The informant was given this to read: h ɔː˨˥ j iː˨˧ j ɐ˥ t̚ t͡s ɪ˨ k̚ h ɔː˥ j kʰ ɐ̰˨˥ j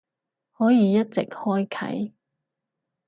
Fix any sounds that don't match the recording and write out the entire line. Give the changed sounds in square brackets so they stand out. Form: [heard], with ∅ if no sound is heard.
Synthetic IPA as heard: h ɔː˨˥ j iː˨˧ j ɐ˥ t̚ t͡s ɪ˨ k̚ h ɔː˥ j kʰ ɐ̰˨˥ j

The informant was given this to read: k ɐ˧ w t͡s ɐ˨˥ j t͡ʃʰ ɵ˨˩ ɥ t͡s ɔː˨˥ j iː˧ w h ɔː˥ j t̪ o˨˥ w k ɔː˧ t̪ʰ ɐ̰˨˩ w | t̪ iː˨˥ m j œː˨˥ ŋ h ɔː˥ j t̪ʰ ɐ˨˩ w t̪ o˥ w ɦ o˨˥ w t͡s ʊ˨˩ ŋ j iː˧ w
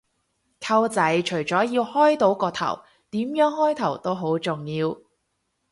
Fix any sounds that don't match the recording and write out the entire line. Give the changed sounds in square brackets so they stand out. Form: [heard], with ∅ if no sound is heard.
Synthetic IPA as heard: [kʰ] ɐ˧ w t͡s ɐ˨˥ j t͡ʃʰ ɵ˨˩ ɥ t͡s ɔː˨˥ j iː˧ w h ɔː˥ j t̪ o˨˥ w k ɔː˧ t̪ʰ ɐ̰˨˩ w | t̪ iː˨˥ m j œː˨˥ ŋ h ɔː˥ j t̪ʰ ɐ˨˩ w t̪ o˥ w ɦ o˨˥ w t͡s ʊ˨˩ ŋ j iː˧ w

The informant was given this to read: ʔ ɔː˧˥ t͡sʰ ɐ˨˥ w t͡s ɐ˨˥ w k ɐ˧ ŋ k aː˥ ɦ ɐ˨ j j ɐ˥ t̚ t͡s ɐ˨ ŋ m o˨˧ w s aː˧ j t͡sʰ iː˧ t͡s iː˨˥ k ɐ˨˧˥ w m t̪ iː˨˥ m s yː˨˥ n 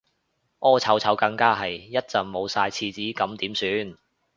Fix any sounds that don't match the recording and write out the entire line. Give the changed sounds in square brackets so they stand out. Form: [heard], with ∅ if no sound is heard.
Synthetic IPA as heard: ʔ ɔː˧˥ t͡sʰ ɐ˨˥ w [t͡sʰ] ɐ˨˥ w k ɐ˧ ŋ k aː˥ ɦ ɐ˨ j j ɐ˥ t̚ t͡s ɐ˨ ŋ m o˨˧ w s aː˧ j t͡sʰ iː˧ t͡s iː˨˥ k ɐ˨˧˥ [∅] m t̪ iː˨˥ m s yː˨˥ n

